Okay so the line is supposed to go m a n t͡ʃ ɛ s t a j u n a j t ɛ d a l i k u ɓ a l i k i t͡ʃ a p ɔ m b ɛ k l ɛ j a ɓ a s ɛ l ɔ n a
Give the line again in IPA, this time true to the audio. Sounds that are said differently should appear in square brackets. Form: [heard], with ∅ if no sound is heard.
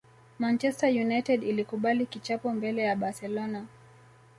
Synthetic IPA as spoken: m a n t͡ʃ ɛ s t a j u n a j t ɛ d [i] l i k u ɓ a l i k i t͡ʃ a p ɔ m b ɛ [∅] l ɛ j a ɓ a s ɛ l ɔ n a